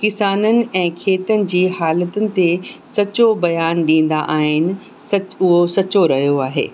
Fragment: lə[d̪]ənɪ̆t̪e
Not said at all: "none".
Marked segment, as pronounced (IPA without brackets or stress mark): t̪